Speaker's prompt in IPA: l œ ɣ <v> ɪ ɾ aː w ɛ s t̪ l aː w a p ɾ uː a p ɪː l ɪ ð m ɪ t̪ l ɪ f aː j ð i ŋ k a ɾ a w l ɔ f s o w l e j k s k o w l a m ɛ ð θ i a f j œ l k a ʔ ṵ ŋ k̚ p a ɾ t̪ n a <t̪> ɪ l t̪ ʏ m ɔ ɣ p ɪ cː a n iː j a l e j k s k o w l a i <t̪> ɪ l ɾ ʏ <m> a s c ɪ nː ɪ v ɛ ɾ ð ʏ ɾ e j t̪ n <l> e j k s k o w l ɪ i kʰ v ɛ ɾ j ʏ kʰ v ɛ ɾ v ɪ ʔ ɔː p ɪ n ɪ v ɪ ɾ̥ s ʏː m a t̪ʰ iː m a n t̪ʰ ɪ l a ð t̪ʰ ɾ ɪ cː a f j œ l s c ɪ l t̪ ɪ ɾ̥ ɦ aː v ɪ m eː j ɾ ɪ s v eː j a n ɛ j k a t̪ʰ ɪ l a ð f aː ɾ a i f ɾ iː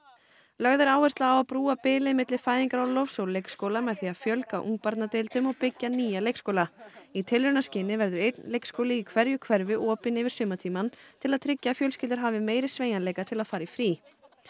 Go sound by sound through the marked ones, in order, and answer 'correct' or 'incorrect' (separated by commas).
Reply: incorrect, correct, incorrect, incorrect, correct